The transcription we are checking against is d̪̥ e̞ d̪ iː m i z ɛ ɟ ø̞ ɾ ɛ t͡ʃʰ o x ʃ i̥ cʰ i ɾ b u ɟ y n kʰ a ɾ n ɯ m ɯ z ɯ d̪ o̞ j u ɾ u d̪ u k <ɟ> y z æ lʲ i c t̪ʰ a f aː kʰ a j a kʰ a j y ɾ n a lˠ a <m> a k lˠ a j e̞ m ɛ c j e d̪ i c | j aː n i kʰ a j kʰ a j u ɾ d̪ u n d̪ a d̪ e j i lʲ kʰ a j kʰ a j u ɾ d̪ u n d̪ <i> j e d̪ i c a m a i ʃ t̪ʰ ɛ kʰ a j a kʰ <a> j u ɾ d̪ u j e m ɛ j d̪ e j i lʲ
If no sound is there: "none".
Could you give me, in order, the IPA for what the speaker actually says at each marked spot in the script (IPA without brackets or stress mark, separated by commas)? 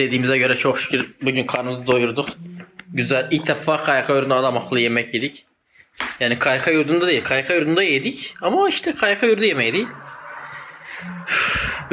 ɟ, m, a, a